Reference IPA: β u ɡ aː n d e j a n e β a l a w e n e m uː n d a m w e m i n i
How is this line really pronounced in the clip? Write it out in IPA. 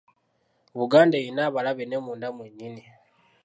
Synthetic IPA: β u ɡ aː n d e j i n a β a l a β e n e m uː n d a m w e ɲ i n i